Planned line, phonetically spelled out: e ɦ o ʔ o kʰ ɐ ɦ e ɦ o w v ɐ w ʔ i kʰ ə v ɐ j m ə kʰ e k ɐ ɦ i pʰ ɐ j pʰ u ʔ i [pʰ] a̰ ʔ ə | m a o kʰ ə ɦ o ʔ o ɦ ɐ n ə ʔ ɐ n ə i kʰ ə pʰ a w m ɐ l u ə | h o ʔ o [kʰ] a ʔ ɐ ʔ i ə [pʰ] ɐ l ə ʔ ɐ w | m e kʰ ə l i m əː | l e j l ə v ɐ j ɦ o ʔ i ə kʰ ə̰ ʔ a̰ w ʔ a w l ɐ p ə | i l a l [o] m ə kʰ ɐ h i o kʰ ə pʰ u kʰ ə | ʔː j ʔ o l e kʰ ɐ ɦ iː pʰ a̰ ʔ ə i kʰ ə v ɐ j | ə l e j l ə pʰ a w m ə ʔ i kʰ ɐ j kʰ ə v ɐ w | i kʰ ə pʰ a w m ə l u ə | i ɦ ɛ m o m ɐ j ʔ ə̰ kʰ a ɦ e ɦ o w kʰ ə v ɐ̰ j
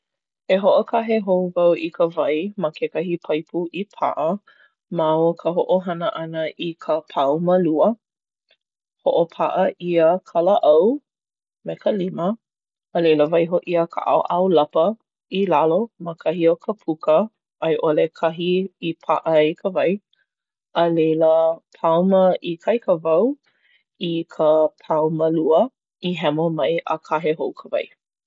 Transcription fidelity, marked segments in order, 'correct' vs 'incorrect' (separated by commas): correct, incorrect, incorrect, correct